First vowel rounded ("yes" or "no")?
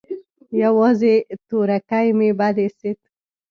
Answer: no